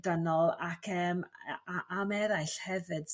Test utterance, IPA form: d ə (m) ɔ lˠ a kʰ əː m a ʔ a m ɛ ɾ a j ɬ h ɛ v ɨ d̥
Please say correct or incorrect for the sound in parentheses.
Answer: incorrect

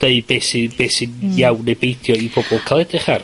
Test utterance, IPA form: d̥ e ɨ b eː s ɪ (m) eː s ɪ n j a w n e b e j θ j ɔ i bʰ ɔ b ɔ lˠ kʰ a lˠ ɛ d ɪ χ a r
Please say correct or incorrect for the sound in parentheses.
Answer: incorrect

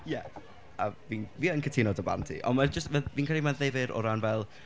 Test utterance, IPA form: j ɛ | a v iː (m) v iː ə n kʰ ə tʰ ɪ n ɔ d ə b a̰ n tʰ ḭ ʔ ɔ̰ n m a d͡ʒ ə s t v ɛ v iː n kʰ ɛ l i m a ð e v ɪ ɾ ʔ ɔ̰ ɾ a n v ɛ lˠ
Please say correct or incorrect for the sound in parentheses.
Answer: incorrect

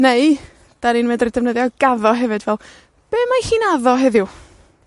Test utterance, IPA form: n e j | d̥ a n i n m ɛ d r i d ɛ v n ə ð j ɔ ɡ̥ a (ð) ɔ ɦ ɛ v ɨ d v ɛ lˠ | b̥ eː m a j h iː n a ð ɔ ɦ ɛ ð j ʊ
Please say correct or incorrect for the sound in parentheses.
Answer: correct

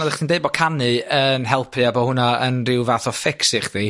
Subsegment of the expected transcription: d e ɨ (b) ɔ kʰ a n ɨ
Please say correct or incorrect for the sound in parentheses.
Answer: correct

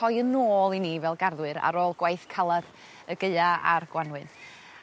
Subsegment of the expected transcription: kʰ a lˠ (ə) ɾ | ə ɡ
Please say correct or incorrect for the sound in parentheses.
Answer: incorrect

